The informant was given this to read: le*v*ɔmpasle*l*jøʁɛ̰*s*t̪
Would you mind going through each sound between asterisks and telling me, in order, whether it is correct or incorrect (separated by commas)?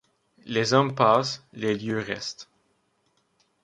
incorrect, correct, correct